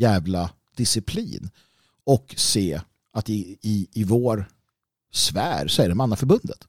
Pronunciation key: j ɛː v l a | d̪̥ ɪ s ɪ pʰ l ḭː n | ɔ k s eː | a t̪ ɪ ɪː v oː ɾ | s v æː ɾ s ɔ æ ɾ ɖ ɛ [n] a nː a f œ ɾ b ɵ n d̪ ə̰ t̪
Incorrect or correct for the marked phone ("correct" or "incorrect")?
incorrect